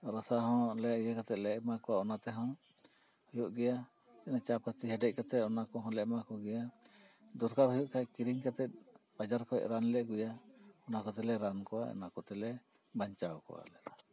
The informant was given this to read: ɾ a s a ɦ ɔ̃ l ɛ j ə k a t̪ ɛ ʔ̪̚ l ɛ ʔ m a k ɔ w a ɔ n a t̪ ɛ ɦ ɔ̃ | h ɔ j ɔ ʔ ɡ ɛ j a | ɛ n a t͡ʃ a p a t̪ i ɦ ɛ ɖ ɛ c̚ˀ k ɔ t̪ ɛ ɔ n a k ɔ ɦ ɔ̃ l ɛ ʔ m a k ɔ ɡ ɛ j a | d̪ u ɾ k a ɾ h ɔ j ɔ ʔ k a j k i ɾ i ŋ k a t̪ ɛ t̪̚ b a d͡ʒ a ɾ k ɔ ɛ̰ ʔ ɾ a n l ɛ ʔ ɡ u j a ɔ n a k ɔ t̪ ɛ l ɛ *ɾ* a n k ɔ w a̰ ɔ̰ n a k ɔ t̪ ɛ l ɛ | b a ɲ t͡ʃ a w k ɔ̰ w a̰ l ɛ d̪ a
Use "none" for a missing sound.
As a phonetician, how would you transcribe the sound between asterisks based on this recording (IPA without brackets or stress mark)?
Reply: ɾ